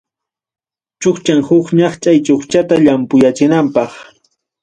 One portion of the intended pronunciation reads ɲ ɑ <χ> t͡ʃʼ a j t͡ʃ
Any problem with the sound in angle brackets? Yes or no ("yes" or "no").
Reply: no